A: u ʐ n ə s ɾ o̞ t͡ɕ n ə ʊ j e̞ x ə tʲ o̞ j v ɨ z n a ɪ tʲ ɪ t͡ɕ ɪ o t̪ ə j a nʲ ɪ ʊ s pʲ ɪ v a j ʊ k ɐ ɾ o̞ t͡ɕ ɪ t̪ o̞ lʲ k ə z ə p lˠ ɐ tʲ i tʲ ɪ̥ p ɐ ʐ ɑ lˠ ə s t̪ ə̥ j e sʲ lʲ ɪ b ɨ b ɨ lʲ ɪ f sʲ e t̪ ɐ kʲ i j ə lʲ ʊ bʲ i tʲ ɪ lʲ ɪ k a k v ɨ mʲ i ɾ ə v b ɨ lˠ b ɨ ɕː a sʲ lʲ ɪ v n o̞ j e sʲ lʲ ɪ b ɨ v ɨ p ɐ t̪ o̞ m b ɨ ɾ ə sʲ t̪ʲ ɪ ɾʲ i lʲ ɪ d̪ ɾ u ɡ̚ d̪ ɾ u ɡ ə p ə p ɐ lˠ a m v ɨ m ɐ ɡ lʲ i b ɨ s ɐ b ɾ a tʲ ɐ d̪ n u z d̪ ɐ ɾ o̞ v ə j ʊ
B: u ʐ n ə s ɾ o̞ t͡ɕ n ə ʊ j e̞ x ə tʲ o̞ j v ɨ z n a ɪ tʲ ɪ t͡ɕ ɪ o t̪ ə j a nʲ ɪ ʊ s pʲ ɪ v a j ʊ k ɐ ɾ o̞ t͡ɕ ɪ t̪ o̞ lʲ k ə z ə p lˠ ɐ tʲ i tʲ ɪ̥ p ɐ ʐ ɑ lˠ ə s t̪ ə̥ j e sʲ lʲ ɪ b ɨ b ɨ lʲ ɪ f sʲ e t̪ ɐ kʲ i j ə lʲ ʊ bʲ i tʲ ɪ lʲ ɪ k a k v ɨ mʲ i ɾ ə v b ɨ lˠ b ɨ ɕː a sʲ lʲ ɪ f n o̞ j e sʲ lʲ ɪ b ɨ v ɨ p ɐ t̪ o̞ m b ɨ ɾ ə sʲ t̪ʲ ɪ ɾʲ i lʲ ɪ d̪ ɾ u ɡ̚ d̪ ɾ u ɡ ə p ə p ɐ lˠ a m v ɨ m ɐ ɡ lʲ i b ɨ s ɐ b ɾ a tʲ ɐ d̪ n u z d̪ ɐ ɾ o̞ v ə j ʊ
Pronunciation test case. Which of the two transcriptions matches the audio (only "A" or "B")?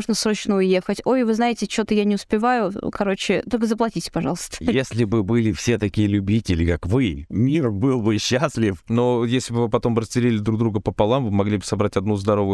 B